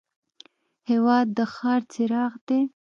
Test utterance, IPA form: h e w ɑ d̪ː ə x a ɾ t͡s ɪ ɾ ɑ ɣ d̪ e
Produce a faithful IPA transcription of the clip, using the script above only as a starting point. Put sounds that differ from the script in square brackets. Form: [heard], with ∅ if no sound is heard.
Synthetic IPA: h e w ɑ d̪ː ə x [ɑ] ɾ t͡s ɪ ɾ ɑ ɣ d̪ e